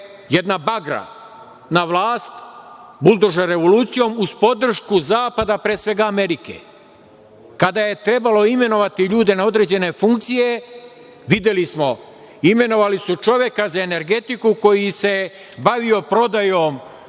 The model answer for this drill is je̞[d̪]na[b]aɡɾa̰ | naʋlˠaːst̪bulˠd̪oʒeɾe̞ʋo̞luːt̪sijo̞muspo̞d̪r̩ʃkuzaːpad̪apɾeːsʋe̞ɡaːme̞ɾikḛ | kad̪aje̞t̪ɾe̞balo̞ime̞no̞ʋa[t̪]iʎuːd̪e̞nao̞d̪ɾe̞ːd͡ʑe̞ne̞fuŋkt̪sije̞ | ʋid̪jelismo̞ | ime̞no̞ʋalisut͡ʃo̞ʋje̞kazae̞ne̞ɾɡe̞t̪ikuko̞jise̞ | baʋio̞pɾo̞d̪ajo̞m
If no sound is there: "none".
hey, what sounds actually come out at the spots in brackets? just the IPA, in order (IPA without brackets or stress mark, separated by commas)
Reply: d̪, b, t̪